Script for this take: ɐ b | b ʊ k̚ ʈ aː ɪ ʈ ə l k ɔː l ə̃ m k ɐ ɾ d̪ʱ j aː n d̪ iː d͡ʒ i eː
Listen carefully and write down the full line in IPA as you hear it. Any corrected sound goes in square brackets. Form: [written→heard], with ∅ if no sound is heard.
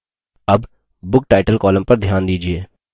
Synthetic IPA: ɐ b | b ʊ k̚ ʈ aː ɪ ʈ ə l k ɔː l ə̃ m [k→p] ɐ ɾ d̪ʱ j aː n d̪ iː d͡ʒ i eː

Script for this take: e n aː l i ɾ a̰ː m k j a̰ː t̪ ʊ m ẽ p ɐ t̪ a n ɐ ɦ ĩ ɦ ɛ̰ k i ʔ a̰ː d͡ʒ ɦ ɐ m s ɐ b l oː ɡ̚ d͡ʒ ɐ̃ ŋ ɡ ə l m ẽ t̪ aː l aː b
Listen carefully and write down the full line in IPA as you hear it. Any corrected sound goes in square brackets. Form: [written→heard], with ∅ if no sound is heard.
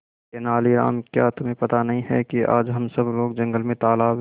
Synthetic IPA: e n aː l i ɾ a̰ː m k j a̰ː t̪ ʊ m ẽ p ɐ t̪ a n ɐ ɦ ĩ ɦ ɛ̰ k i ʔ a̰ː d͡ʒ ɦ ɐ m s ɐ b l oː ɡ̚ d͡ʒ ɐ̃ ŋ ɡ ə l m ẽ t̪ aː l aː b

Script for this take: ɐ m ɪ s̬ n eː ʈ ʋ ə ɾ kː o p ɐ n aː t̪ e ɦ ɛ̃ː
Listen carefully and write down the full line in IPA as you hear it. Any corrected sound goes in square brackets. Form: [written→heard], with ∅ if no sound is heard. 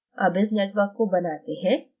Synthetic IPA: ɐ [m→b] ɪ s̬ n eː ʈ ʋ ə ɾ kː o [p→b] ɐ n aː t̪ e ɦ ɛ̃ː

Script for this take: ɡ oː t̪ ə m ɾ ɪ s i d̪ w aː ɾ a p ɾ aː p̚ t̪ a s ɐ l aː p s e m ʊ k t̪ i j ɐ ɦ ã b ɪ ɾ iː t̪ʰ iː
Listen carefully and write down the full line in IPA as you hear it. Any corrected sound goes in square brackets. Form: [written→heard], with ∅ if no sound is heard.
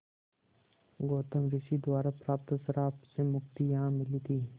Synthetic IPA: ɡ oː t̪ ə m ɾ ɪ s i d̪ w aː ɾ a p ɾ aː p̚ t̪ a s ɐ [l→ɾ] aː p s e m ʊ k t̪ i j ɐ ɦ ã [b→m] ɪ [ɾ→l] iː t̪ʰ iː

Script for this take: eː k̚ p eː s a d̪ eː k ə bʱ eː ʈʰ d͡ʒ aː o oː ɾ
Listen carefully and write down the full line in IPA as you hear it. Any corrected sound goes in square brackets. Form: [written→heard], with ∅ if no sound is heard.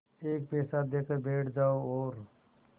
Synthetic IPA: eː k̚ p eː s a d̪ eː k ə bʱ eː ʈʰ d͡ʒ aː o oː ɾ

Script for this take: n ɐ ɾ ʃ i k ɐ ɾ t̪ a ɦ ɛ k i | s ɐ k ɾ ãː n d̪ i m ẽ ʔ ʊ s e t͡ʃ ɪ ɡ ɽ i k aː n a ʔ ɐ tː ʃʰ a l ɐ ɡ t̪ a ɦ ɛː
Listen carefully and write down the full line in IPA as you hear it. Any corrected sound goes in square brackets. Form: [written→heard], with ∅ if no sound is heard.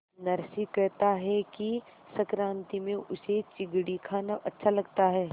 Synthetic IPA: n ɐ ɾ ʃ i k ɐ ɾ t̪ a ɦ ɛ k i | s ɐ k ɾ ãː n [d̪→t̪] i m ẽ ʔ ʊ s e t͡ʃ ɪ ɡ ɽ i [k→kʰ] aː n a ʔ ɐ tː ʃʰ a l ɐ ɡ t̪ a ɦ ɛː

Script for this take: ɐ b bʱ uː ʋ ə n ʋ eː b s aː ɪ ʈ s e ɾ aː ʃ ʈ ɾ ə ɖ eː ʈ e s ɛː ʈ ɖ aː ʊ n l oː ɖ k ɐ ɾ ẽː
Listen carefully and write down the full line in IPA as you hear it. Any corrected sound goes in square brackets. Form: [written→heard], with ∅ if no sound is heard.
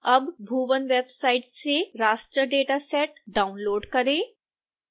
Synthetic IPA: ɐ b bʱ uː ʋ ə n ʋ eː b s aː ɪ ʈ s e ɾ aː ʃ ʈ ɾ ə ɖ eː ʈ [e→a] s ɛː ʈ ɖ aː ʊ n l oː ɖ k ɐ ɾ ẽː

